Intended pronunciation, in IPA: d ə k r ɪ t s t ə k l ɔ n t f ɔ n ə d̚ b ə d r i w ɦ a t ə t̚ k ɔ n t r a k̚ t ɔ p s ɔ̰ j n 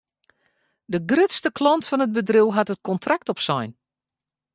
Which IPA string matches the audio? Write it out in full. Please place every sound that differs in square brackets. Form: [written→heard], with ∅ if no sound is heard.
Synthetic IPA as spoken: d ə [k→ɡ] r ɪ t s t ə k l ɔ n t f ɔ n ə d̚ b ə d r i w ɦ a t ə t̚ k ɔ n t r a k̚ t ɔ p s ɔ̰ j n